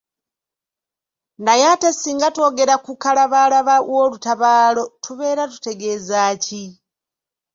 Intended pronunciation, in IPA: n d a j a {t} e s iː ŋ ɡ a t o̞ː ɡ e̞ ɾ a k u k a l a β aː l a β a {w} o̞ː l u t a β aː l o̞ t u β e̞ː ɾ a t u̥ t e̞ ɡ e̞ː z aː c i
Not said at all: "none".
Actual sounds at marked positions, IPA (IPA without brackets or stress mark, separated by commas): t, w